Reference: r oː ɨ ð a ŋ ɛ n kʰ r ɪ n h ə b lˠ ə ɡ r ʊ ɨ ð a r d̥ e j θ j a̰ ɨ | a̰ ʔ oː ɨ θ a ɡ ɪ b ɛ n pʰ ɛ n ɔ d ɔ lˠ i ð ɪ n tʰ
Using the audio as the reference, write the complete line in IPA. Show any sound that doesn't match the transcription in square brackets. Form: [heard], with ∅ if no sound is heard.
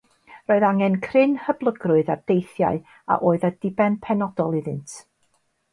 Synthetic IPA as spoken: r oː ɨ ð a ŋ ɛ n kʰ r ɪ n h ə b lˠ ə ɡ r ʊ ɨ ð a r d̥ e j θ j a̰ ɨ | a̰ ʔ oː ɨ [ð] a [d] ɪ b ɛ n pʰ ɛ n ɔ d ɔ lˠ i ð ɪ n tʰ